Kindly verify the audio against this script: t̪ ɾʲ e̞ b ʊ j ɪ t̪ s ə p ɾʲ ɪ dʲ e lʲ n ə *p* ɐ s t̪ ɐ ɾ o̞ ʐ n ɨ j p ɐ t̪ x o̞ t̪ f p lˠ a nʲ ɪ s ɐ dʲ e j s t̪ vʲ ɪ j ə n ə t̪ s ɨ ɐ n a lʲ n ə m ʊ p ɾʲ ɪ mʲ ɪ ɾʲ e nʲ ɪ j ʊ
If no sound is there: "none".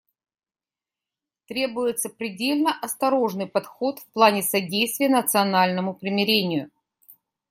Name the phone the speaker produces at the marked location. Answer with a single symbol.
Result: ʔ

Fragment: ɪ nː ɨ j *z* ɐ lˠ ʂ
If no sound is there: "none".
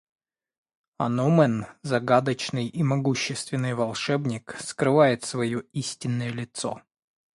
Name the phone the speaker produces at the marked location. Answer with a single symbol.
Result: v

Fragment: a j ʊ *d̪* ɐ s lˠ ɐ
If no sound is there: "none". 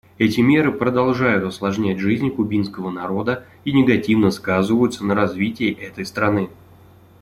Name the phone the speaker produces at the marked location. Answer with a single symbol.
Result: t̪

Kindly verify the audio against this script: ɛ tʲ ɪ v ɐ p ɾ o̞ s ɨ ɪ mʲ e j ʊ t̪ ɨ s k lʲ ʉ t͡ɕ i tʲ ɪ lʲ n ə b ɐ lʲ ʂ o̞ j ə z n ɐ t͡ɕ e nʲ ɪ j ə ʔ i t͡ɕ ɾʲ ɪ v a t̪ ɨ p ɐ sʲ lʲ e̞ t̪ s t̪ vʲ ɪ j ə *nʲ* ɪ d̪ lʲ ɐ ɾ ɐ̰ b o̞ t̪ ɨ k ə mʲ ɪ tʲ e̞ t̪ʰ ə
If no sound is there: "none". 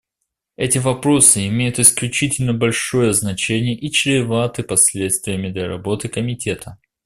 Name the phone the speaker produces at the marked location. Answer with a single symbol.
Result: mʲ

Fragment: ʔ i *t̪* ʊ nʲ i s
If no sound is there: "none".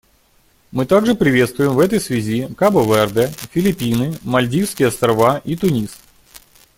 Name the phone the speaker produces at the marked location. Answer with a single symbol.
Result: t̪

